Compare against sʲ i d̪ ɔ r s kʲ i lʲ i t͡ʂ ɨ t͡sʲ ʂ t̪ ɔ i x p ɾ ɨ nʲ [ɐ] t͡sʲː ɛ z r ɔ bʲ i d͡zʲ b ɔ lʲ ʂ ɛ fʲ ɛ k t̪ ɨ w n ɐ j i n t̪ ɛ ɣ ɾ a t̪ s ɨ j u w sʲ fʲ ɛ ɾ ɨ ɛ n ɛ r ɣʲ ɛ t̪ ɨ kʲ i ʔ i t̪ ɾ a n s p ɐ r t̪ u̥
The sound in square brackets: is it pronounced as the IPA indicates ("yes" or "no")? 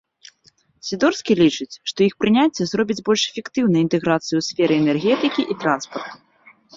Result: no